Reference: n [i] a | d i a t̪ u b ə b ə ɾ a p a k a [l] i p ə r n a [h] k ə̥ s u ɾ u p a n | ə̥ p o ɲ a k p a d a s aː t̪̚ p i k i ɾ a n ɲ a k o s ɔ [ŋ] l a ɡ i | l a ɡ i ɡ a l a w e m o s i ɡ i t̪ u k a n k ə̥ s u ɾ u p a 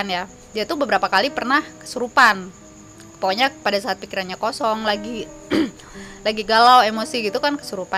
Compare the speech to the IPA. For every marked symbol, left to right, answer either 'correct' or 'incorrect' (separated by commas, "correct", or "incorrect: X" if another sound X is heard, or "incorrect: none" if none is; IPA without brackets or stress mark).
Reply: incorrect: j, correct, correct, correct